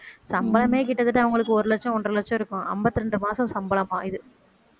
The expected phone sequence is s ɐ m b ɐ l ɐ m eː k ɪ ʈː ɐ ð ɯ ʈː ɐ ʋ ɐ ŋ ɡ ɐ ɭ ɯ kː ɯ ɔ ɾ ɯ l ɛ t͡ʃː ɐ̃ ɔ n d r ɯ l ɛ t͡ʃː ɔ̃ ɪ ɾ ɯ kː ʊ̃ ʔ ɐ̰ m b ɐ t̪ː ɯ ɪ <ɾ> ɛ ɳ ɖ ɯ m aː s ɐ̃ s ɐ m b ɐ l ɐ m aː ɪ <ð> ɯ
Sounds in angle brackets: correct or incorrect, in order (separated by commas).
correct, correct